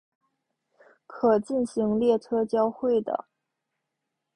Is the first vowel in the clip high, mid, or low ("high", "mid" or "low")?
mid